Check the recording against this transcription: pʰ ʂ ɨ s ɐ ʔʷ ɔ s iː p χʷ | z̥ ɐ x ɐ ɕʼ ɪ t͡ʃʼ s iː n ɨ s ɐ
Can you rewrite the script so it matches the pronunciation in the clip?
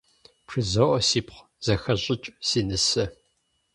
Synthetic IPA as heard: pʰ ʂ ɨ z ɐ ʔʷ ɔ s iː p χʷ | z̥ ɐ x ɐ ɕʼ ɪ t͡ʃʼ s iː n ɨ s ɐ